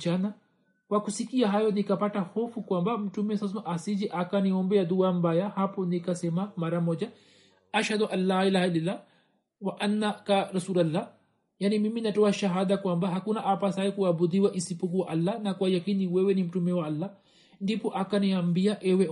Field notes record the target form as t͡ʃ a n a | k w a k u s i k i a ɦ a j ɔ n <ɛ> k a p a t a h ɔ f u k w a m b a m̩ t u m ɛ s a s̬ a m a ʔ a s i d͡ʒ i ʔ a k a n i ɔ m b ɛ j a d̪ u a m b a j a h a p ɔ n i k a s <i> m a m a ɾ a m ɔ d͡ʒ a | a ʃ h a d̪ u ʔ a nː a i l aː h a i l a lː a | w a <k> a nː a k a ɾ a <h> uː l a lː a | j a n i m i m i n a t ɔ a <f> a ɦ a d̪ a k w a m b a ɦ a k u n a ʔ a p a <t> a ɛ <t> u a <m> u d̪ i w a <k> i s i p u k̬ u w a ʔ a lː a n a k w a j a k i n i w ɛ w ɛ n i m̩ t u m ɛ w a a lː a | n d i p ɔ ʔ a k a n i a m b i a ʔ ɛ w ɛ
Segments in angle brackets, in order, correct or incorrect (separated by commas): incorrect, incorrect, incorrect, incorrect, incorrect, incorrect, incorrect, incorrect, incorrect